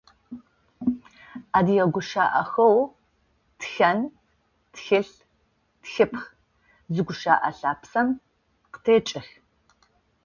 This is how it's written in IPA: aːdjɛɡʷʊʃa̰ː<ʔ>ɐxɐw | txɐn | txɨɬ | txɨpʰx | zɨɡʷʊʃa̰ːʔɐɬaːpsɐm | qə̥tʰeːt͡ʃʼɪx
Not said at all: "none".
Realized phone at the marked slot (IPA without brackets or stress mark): ʔ